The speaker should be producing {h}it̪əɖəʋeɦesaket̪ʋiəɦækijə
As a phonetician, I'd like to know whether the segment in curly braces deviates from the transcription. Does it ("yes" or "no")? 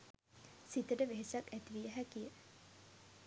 yes